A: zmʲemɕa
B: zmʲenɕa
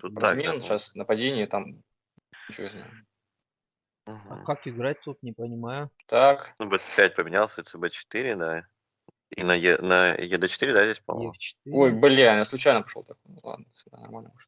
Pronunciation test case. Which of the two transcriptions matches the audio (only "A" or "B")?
B